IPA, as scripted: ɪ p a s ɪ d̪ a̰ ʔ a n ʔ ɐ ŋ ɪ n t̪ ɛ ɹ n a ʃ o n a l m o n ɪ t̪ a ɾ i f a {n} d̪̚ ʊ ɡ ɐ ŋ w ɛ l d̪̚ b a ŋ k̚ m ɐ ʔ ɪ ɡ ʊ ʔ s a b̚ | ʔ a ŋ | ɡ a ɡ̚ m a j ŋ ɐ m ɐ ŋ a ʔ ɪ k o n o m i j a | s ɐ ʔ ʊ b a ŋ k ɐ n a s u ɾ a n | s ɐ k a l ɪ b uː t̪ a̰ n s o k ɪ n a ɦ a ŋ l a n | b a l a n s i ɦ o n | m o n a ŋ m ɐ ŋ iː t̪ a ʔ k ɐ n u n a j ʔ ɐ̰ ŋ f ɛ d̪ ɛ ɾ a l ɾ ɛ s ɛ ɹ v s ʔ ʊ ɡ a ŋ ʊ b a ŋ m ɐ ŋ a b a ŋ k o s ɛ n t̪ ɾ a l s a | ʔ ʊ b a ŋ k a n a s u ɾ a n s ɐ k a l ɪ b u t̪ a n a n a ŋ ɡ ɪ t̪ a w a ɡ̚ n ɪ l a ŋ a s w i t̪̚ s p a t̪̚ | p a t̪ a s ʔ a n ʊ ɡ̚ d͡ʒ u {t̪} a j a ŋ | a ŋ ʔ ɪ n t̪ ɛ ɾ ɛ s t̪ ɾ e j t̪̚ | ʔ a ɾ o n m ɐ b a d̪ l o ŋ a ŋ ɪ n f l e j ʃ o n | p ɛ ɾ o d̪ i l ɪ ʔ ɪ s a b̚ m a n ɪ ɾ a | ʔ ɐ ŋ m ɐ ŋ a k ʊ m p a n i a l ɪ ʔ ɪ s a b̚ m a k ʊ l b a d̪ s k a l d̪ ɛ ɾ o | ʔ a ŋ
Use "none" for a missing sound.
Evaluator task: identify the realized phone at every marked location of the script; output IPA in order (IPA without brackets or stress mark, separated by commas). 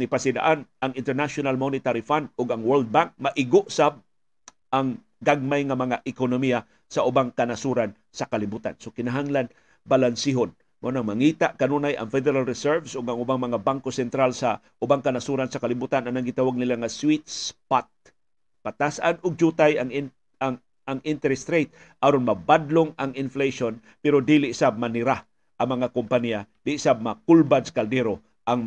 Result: n, t̪